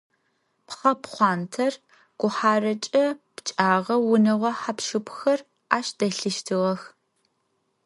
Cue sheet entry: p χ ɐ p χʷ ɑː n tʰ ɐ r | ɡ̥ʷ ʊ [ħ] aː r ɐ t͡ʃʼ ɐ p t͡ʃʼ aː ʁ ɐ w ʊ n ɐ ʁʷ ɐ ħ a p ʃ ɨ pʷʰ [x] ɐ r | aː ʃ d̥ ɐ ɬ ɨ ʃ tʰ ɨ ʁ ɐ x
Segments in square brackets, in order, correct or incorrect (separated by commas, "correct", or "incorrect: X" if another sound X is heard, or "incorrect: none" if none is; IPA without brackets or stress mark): correct, correct